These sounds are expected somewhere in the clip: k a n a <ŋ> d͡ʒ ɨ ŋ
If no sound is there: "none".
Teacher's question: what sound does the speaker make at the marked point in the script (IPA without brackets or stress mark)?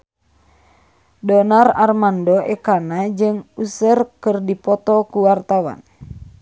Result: none